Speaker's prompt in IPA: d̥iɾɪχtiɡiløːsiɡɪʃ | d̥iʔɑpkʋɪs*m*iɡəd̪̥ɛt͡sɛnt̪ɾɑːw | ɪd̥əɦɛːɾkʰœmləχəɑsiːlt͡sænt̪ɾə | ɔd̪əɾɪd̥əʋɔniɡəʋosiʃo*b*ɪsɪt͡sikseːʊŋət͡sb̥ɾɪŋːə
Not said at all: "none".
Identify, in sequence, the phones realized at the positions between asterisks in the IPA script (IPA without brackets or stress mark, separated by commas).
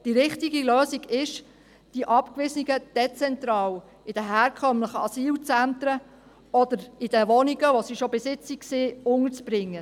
n, b